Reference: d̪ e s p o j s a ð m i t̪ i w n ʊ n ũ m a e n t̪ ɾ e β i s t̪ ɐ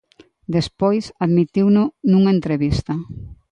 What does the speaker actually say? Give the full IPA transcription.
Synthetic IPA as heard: d̪ e s p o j s a ð m i t̪ i w n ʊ n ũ ŋ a e n t̪ ɾ e β i s t̪ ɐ